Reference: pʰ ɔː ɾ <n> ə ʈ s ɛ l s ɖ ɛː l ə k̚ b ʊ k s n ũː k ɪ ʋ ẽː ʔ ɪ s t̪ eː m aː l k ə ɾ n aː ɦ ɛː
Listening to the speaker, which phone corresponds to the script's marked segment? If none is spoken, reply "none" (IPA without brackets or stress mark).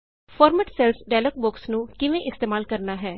m